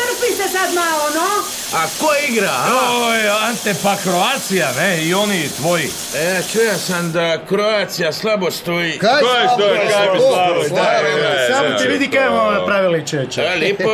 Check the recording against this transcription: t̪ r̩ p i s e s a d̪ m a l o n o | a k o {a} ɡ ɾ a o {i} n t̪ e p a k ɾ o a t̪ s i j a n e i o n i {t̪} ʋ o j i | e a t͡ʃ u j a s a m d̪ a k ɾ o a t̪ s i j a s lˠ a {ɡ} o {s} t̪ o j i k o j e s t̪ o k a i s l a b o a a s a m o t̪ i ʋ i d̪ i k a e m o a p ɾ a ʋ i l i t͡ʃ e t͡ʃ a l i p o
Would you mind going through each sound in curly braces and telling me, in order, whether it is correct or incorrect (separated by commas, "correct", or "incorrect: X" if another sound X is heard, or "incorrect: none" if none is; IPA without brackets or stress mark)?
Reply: incorrect: i, incorrect: a, correct, incorrect: b, correct